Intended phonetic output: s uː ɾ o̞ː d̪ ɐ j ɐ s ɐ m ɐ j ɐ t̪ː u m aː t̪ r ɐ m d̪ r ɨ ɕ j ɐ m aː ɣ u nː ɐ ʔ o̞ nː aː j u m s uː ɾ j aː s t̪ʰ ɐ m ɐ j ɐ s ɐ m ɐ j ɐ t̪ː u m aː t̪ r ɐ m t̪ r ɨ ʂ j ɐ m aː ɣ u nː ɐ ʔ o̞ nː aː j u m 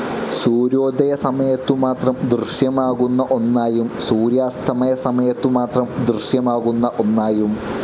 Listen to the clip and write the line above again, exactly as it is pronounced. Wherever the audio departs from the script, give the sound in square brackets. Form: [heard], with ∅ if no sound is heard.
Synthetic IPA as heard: s uː ɾ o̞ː d̪ ɐ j ɐ s ɐ m ɐ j ɐ t̪ː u m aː t̪ r ɐ m d̪ r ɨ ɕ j ɐ m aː ɣ u nː ɐ ʔ o̞ nː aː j u m s uː ɾ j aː s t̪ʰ ɐ m ɐ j ɐ s ɐ m ɐ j ɐ t̪ː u m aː t̪ r ɐ m [d̪] r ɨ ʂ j ɐ m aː ɣ u nː ɐ ʔ o̞ nː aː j u m